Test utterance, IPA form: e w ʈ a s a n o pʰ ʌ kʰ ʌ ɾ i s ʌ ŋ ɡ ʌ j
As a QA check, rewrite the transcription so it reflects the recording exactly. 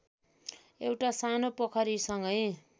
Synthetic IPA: e w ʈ a s a n o p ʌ kʰ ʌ ɾ i s ʌ ŋ ɡ ʌ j